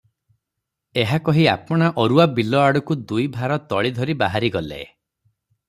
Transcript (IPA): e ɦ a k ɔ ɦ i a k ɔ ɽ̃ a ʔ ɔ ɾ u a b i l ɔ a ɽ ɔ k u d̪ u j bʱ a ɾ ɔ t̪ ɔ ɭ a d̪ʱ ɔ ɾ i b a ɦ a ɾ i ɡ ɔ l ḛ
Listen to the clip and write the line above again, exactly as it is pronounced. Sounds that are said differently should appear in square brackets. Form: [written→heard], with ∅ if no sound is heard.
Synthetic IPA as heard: e ɦ a k ɔ ɦ i a [k→p] ɔ ɽ̃ a ʔ ɔ ɾ u a b i l ɔ a ɽ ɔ k u d̪ u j bʱ a ɾ ɔ t̪ ɔ ɭ [a→i] d̪ʱ ɔ ɾ i b a ɦ a ɾ i ɡ ɔ l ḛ